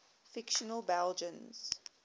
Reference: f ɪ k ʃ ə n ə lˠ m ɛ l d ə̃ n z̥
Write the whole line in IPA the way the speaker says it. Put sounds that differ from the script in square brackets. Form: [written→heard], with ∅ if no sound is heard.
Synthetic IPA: f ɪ k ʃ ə n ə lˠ [m→b] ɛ l [d→d͡ʒ] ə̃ n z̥

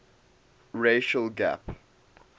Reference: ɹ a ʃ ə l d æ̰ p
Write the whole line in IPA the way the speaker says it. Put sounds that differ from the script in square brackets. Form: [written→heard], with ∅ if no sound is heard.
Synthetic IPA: ɹ [a→e] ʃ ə l [d→ɡ] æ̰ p

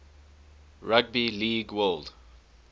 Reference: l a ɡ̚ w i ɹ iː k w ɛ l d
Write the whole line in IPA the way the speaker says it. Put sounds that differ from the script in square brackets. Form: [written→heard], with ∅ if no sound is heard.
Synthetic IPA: [l→ɹ] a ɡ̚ [w→b] i [ɹ→l] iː [k→ɡ] w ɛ l d

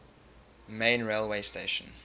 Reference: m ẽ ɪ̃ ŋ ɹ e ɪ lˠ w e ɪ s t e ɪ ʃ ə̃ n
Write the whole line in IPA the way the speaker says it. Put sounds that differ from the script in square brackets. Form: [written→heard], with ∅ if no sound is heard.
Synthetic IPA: m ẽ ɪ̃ [ŋ→n] ɹ e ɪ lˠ w e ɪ s t e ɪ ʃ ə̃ n

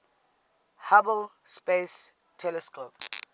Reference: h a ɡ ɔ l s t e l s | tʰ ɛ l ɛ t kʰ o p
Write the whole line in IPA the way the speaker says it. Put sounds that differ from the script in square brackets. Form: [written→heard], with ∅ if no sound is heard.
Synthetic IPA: h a [ɡ→b] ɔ l s [t→p] e [l→∅] s | tʰ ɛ l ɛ [t→s] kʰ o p

